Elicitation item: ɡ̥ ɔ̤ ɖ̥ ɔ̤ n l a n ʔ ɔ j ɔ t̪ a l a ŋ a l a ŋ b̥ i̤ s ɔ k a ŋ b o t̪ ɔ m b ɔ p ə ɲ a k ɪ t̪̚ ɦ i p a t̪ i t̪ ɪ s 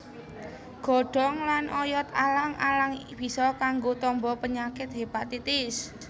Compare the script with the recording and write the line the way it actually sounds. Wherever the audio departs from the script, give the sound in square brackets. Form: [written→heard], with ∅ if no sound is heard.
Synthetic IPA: ɡ̥ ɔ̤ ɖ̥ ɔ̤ [n→ŋ] l a n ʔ ɔ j ɔ t̪ a l a ŋ a l a ŋ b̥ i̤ s ɔ k a ŋ [b→ɡ] o t̪ ɔ m b ɔ p ə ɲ a k ɪ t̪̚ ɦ [i→e] p a t̪ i t̪ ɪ s